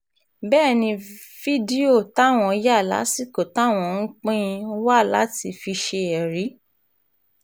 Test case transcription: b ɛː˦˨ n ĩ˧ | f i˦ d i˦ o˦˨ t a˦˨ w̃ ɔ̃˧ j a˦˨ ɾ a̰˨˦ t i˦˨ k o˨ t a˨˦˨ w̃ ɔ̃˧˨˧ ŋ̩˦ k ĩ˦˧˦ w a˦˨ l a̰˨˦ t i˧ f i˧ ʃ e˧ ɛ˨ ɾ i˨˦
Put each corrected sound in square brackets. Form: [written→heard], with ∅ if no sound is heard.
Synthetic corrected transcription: b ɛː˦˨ n ĩ˧ | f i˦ d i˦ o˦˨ t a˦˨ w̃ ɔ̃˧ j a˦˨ [ɾ→l] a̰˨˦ [t→s] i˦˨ k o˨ t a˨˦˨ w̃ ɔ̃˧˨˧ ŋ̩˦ [k→k͡p] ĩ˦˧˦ w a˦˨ l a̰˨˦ t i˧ f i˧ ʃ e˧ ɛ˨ ɾ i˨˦